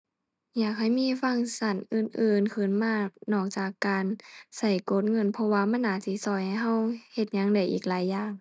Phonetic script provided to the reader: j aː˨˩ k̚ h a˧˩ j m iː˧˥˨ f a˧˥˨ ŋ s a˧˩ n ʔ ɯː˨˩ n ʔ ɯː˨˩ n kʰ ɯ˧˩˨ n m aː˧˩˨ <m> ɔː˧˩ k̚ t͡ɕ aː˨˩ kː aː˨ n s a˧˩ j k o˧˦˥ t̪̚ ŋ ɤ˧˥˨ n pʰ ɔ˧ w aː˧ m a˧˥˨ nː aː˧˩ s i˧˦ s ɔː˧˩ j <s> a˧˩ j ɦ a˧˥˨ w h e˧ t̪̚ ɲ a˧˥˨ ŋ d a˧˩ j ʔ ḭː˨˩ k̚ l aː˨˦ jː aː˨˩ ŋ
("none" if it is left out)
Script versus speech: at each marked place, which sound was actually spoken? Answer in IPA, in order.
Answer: n, h

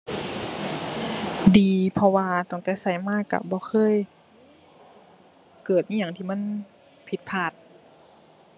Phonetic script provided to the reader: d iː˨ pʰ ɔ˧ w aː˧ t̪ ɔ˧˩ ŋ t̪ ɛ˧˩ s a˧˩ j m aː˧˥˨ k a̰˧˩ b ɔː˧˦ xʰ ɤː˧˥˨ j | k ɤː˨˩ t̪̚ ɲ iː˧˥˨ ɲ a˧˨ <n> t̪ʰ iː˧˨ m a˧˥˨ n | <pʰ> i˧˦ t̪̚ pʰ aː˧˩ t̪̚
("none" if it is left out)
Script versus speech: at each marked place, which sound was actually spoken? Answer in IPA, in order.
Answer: ŋ, pʰ

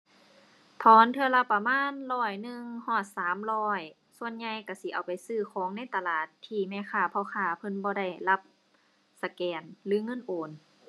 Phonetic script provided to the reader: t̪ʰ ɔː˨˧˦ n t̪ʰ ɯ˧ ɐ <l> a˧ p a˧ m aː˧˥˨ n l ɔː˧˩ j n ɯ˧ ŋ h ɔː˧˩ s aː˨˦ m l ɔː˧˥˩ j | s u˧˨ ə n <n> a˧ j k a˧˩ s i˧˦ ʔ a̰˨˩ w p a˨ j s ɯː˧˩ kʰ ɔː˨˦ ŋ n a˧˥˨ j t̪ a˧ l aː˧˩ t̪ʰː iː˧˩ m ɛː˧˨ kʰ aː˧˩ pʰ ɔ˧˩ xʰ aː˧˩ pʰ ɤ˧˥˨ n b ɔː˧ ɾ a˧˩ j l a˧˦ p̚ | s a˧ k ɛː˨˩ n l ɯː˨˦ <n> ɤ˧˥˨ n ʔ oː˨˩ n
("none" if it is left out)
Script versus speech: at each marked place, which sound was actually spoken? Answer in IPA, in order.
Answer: l, ɲ, ŋ

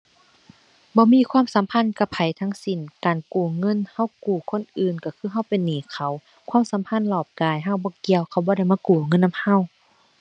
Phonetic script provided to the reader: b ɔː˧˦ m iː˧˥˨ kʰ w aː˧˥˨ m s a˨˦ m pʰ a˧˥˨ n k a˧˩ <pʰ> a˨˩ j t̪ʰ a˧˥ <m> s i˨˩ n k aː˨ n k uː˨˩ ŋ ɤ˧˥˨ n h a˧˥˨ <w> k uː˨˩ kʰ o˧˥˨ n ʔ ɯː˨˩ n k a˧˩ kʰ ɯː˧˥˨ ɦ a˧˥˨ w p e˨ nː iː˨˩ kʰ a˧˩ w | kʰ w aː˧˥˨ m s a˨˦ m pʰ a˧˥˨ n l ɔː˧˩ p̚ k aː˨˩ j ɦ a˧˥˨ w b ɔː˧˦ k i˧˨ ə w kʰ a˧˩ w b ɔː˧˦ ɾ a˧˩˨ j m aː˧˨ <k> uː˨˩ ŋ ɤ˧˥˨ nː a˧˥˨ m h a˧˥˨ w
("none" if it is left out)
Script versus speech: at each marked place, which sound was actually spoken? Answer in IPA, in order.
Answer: pʰ, ŋ, w, k

